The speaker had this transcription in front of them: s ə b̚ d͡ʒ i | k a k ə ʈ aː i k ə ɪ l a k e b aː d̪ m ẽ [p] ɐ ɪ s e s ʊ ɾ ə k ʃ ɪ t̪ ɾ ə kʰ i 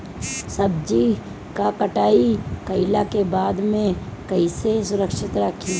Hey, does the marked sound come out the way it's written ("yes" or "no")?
no